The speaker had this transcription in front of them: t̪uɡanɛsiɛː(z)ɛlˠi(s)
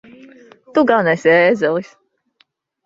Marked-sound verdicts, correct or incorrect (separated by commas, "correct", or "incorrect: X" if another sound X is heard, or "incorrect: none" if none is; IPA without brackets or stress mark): correct, correct